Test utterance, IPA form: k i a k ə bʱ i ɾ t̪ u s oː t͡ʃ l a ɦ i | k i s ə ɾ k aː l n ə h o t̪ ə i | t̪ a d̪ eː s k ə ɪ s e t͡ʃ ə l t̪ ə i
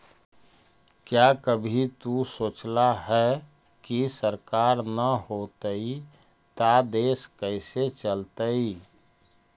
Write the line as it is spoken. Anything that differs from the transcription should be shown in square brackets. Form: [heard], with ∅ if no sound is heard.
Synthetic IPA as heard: k [j] a k ə bʱ i [∅] t̪ u s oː t͡ʃ l a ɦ [ɛ] | k i s ə ɾ k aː [ɾ] n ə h o t̪ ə i | t̪ a d̪ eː s k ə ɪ s e t͡ʃ ə l t̪ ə i